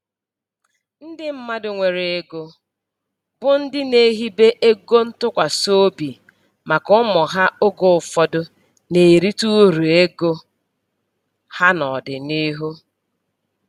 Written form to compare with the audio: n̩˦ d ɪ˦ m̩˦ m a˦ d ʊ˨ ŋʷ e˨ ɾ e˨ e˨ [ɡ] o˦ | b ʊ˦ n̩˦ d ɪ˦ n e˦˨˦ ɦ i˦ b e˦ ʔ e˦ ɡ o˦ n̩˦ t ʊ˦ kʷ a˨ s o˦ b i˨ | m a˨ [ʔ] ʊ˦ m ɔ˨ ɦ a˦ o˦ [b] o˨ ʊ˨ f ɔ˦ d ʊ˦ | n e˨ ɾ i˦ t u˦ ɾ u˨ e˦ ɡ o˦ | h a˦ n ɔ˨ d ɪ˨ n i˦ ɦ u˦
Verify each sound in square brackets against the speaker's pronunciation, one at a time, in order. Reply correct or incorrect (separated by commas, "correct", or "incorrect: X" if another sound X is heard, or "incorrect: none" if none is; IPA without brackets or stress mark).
correct, incorrect: k, incorrect: ɡ